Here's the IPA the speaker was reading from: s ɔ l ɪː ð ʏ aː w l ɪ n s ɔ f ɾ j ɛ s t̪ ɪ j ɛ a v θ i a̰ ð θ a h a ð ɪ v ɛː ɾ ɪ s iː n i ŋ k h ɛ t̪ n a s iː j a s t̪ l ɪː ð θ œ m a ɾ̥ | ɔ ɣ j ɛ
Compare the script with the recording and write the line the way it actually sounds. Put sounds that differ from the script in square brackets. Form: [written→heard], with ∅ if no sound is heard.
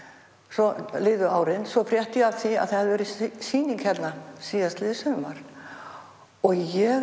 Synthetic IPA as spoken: s ɔ l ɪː ð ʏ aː w [l→ɾ] ɪ n s ɔ f ɾ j ɛ [s→h] t̪ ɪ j ɛ a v θ i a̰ ð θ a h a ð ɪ v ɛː ɾ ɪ s iː n i ŋ k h ɛ t̪ n a s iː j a s t̪ l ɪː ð [θ→s] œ m a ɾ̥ | ɔ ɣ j ɛ